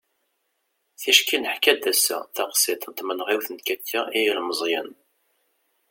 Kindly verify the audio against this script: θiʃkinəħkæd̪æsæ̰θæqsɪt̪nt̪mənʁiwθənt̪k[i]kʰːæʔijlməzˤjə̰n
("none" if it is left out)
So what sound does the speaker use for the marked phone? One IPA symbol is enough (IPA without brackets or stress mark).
æ